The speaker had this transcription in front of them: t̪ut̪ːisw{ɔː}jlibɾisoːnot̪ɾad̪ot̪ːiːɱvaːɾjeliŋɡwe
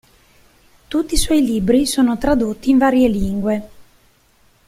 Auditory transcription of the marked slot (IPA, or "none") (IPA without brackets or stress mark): ɔ